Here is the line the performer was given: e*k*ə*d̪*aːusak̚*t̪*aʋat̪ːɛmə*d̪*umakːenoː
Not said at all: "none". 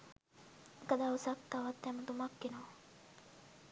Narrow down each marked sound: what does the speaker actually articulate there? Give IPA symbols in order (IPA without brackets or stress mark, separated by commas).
k, d̪, t̪, t̪